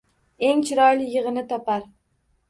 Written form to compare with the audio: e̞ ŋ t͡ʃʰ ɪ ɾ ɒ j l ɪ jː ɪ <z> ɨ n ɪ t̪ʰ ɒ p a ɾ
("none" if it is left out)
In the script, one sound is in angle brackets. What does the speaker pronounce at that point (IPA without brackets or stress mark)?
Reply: ʁ